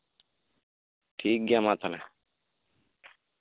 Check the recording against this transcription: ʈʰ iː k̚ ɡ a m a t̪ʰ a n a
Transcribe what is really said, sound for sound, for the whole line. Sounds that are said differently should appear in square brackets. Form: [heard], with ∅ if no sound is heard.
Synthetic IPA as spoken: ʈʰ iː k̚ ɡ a m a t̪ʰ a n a

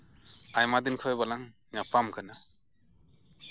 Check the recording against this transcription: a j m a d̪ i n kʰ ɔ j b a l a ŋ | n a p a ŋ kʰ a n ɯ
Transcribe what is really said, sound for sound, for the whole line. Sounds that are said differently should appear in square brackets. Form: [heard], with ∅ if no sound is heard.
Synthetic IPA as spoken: a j m a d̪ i n kʰ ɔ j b a l a ŋ | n a p a [m] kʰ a n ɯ

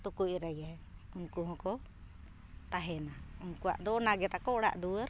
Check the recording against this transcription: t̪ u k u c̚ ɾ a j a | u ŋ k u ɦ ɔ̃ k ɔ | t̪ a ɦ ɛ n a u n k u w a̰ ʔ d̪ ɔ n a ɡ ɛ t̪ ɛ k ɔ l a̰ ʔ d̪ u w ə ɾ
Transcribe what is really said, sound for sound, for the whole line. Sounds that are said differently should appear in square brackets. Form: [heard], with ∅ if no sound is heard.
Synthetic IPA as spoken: t̪ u k u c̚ ɾ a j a | u [n] k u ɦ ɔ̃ k ɔ | t̪ a ɦ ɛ n a u n k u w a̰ ʔ d̪ ɔ n a ɡ ɛ t̪ [a] k ɔ [ɽ] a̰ ʔ d̪ u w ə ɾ

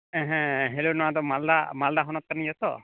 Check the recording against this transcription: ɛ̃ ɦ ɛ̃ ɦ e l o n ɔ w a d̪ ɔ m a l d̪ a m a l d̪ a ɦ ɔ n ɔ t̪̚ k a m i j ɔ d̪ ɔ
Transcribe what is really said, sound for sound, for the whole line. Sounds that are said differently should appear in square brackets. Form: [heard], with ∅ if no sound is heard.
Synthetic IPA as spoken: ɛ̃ ɦ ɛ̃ ɦ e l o n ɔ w a d̪ ɔ m a l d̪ a m a l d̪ a ɦ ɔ n ɔ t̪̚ k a [n] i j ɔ [t̪] ɔ

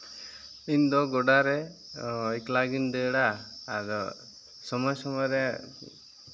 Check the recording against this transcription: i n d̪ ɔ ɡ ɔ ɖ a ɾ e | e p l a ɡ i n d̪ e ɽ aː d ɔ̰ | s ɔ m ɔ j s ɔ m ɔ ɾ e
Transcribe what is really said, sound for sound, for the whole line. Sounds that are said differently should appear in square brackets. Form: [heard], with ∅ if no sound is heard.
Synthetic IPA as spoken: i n d̪ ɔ ɡ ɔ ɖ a ɾ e | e [k] l a ɡ i n d̪ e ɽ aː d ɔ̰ | s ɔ m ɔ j s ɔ m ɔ ɾ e

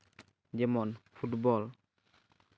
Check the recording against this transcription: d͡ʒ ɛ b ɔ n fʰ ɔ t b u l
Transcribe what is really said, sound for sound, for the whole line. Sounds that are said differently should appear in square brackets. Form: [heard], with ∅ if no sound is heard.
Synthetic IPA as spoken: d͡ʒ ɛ [m] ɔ n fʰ [u] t b [ɔ] l

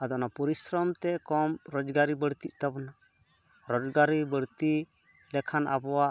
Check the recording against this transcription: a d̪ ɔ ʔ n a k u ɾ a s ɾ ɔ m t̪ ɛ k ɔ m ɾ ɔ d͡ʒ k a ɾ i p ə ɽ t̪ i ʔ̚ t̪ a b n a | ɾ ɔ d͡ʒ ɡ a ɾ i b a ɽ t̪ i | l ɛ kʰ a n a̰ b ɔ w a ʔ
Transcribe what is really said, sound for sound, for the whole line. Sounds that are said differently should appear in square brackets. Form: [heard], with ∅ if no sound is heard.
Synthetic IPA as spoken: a d̪ ɔ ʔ n a [p] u ɾ [i] s ɾ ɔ m t̪ ɛ k ɔ m ɾ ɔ d͡ʒ [ɡ] a ɾ i [b] ə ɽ t̪ i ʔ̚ t̪ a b n a | ɾ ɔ d͡ʒ ɡ a ɾ i b [ə] ɽ t̪ i | l ɛ kʰ a n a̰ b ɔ w a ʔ

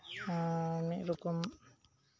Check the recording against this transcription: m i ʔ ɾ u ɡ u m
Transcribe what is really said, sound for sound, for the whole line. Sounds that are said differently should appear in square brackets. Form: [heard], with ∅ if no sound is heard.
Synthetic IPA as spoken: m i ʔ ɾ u [k] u m

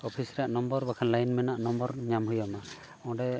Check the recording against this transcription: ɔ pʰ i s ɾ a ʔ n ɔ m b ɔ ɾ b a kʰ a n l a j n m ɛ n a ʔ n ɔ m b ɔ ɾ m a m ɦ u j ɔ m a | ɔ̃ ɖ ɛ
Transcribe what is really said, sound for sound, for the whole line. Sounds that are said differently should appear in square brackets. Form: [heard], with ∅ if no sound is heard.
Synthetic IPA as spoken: ɔ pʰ i s ɾ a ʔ n ɔ m b ɔ ɾ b a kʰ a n l a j n m ɛ n a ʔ n ɔ m b ɔ ɾ [ɲ] a m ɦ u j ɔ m a | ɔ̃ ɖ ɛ

